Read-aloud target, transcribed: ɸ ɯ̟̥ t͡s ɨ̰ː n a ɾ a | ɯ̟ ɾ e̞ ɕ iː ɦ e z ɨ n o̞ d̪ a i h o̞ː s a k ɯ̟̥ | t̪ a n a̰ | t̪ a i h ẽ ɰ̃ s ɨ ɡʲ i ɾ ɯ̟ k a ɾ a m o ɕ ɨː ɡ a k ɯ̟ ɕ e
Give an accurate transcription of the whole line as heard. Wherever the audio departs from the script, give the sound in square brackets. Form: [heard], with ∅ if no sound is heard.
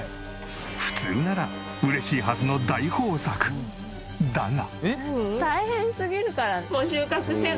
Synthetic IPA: ɸ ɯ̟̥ t͡s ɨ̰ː n a ɾ a | ɯ̟ ɾ e̞ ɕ iː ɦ [a] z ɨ n o̞ d̪ a i h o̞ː s a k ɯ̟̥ | [d̪] a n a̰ | t̪ a i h ẽ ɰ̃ s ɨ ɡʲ i ɾ ɯ̟ k a ɾ a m o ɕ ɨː [k] a k ɯ̟ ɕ e